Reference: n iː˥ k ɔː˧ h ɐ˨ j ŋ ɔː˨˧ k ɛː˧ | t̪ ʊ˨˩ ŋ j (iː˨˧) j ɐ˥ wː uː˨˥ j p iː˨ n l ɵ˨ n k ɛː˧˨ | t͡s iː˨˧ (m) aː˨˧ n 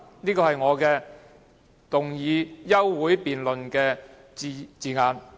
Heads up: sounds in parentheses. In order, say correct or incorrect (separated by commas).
correct, incorrect